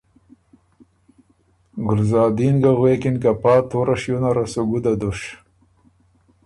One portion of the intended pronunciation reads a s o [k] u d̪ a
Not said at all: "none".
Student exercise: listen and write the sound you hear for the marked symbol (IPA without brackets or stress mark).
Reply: ɡ